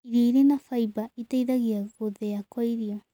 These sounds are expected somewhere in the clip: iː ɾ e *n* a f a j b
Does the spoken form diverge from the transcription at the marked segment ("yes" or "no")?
no